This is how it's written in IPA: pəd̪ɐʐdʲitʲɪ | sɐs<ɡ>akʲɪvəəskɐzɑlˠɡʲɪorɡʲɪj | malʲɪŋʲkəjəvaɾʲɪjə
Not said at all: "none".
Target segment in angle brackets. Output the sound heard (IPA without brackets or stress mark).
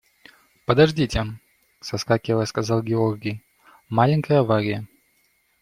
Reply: k